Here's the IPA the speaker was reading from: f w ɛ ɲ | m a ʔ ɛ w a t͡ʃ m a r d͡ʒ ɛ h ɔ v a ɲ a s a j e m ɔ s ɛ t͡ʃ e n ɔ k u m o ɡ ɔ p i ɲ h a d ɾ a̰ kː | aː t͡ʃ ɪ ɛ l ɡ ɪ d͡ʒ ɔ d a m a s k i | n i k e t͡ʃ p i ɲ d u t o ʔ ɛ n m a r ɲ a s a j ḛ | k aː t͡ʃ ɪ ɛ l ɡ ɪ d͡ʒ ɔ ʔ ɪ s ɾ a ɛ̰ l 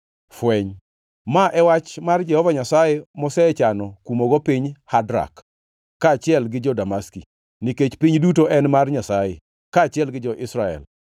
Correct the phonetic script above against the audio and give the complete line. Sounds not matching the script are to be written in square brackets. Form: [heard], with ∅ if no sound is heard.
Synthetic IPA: f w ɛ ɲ | m a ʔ ɛ w a t͡ʃ m a r d͡ʒ ɛ h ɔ v a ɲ a s a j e m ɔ s ɛ t͡ʃ [a] n ɔ k u m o ɡ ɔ p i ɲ h a d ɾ a̰ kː | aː t͡ʃ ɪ ɛ l ɡ ɪ d͡ʒ ɔ d a m a s k i | n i k e t͡ʃ p i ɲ d u t o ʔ ɛ n m a r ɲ a s a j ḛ | k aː t͡ʃ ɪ ɛ l ɡ ɪ d͡ʒ ɔ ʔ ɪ s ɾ a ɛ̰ l